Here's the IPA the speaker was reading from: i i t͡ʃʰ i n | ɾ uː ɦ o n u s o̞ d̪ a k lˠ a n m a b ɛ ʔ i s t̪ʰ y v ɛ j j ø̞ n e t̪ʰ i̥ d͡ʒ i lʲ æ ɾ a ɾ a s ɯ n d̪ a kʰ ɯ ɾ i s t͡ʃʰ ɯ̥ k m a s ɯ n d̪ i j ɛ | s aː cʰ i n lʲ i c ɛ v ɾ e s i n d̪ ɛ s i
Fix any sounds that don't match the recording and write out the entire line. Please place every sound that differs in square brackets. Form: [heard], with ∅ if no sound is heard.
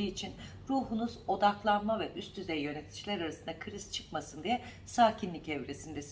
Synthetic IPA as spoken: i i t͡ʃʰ i n | ɾ uː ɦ [u] n u [z] o̞ d̪ a k lˠ a n m a [v] ɛ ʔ [y] s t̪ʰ y [z] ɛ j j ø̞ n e t̪ʰ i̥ d͡ʒ i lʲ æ ɾ a ɾ a s ɯ n d̪ a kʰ ɯ ɾ i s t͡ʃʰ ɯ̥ k m a s ɯ n d̪ i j ɛ | s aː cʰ i n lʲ i c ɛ v ɾ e s i n d̪ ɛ s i